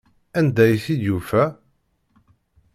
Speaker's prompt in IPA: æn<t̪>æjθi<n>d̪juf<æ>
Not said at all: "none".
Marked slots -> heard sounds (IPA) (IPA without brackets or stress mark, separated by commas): d̪, none, æ